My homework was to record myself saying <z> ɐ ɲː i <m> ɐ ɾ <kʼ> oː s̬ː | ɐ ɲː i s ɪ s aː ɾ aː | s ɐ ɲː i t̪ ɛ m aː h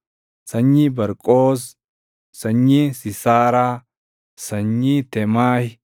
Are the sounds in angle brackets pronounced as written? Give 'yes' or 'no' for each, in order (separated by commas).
no, no, yes